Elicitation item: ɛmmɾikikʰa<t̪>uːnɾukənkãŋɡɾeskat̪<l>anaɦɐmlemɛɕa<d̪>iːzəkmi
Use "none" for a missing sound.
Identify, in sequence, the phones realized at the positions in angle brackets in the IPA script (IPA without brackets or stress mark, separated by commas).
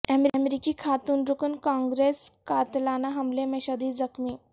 t̪, l, d̪